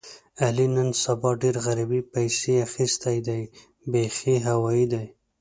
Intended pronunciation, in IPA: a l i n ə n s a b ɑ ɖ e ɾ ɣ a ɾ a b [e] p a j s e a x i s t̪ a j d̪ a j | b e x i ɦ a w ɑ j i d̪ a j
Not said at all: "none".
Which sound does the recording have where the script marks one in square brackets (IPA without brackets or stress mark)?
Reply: i